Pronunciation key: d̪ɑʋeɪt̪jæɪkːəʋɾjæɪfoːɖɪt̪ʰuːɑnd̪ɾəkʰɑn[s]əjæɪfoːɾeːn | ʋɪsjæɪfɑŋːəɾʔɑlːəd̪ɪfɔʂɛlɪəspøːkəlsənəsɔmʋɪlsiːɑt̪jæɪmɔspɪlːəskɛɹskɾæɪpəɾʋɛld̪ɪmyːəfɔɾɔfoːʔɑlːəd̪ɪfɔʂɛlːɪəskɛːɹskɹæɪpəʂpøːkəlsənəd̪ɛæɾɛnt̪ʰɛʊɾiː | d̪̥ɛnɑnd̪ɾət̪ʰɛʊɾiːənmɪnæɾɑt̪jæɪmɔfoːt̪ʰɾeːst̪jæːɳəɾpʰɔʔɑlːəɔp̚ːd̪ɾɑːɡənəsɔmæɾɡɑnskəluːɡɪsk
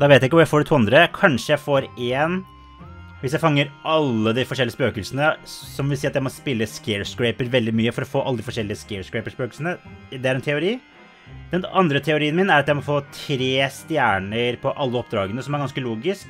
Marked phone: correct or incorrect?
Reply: incorrect